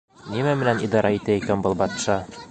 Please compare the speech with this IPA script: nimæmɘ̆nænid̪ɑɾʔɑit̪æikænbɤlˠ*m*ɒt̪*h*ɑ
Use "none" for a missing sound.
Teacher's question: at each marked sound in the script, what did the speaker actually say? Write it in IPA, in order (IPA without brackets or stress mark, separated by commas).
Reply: b, ʃ